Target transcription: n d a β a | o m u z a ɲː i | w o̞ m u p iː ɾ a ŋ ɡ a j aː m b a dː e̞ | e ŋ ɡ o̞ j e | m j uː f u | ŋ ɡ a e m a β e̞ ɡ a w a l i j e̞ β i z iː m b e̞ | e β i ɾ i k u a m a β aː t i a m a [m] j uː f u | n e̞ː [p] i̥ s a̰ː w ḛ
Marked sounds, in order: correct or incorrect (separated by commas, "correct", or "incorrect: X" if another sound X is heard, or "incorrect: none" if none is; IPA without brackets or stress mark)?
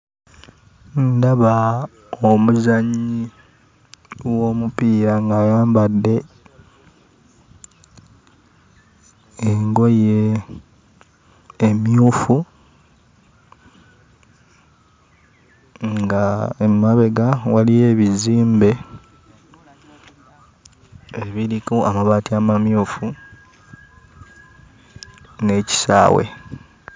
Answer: correct, incorrect: c